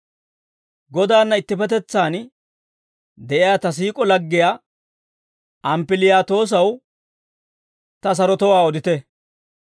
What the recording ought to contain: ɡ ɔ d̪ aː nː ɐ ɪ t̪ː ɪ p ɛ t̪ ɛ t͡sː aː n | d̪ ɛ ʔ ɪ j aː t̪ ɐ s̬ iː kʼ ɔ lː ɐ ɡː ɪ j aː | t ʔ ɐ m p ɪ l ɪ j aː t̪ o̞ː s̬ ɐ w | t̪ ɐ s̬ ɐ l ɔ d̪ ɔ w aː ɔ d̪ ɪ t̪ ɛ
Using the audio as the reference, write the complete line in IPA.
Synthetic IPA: ɡ ɔ d̪ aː nː ɐ ɪ t̪ː ɪ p ɛ t̪ ɛ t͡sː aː n | d̪ ɛ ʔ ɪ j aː t̪ ɐ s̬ iː kʼ ɔ l ɐ ɡː ɪ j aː | t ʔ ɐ m p ɪ l ɪ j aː t̪ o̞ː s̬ ɐ w | t̪ ɐ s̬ ɐ ɾ ɔ t̪ ɔ w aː ɔ d̪ ɪ t̪ ɛ